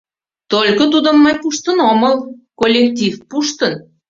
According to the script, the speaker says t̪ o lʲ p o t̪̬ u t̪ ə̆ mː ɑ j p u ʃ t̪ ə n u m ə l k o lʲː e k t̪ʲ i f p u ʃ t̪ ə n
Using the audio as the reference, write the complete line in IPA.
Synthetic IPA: t̪ o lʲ k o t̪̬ u d̪ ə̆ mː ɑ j p u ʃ t̪ ə n o m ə l k o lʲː e k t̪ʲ i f p u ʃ t̪ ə n